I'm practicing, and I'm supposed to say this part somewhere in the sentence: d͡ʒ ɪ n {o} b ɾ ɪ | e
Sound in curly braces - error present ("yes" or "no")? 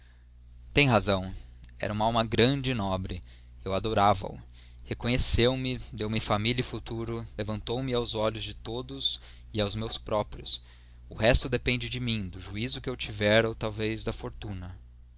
yes